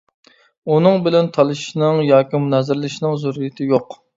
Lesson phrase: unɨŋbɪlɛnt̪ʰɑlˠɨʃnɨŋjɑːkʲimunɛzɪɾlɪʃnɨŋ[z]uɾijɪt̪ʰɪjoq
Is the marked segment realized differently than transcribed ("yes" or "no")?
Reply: no